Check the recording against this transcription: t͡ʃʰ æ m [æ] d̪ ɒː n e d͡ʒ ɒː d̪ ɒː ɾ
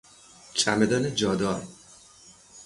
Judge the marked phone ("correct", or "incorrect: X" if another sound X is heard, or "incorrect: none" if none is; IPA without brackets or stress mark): incorrect: e